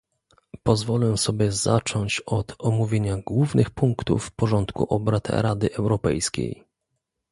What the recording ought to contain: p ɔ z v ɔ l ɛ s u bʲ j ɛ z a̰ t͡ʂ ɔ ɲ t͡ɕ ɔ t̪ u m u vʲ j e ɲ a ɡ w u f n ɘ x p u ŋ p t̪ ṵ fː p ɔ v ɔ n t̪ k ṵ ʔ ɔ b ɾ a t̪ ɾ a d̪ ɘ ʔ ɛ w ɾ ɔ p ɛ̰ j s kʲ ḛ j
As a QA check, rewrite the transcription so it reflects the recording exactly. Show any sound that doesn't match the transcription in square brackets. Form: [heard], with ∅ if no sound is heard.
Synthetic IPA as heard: p ɔ z v ɔ l ɛ s [ɔ] bʲ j ɛ z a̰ t͡ʂ ɔ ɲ t͡ɕ ɔ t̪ [ɔ] m u vʲ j e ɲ a ɡ w u [v] n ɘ x p u ŋ [k] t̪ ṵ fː p ɔ [ʐ] ɔ n t̪ k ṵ ʔ ɔ b ɾ a t̪ ɾ a d̪ ɘ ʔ ɛ w ɾ ɔ p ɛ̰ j s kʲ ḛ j